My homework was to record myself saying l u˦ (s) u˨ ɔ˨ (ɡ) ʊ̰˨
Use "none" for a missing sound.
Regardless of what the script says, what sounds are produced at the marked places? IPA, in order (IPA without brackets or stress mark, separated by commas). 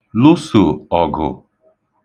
s, ɡ